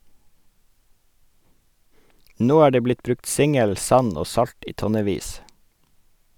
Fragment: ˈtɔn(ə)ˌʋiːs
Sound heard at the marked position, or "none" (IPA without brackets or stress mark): ə